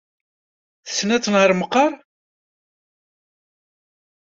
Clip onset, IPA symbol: θ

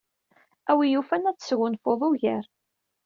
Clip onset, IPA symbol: æ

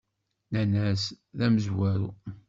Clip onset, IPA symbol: n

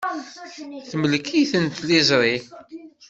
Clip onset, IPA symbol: θ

